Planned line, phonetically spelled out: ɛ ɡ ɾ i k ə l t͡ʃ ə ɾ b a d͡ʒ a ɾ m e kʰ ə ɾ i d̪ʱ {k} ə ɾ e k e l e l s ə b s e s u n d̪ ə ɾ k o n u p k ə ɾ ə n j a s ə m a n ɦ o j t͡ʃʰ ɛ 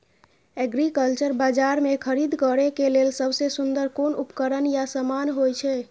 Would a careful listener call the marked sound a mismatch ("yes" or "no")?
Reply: no